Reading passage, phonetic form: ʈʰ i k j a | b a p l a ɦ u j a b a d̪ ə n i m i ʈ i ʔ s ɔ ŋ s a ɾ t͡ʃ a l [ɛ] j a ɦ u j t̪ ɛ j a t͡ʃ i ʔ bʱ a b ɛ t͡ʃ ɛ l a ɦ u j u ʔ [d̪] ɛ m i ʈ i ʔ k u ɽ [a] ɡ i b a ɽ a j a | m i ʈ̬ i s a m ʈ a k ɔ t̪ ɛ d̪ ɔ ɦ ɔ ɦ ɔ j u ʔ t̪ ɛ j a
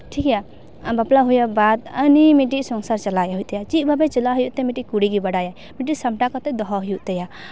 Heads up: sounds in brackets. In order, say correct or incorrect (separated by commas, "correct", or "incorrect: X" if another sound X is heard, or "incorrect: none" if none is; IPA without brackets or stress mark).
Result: incorrect: a, incorrect: t̪, incorrect: i